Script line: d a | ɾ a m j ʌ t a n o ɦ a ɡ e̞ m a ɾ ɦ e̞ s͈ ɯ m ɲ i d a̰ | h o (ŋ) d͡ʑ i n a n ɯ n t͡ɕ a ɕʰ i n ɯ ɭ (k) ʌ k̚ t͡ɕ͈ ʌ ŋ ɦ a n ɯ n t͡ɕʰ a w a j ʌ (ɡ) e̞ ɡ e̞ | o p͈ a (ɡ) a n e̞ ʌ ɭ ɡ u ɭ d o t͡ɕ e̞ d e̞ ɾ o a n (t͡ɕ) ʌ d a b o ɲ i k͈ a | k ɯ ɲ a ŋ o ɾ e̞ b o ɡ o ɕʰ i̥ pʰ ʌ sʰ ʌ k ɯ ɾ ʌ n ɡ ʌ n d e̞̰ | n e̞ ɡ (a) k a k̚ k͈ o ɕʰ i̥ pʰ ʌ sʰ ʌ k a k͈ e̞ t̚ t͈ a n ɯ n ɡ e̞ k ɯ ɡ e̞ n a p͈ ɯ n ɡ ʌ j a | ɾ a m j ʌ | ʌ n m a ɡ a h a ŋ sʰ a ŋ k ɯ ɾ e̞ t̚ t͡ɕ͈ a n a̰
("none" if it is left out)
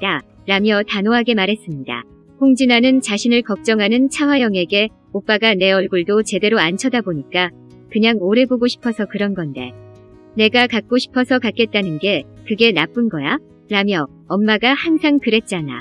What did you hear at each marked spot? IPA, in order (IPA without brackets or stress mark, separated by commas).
ŋ, k, ŋ, ɡ, t͡ɕʰ, a